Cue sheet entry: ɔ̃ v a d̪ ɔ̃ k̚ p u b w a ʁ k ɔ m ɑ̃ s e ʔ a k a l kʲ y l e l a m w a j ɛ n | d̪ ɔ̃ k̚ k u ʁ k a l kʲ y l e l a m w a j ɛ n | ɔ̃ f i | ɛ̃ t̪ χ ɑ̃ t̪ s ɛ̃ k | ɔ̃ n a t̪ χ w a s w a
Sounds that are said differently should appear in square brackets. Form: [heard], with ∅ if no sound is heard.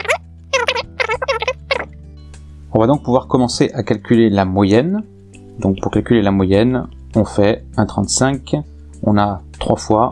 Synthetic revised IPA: ɔ̃ v a d̪ ɔ̃ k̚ p u [v] w a ʁ k ɔ m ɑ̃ s e ʔ a k a l kʲ y l e l a m w a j ɛ n | d̪ ɔ̃ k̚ [p] u ʁ k a l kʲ y l e l a m w a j ɛ n | ɔ̃ f [ɛ] | ɛ̃ t̪ χ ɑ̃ t̪ s ɛ̃ k | ɔ̃ n a t̪ χ w a [f] w a